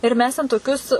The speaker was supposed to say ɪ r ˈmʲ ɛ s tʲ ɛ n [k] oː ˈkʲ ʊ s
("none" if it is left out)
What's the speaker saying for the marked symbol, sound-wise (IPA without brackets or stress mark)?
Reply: t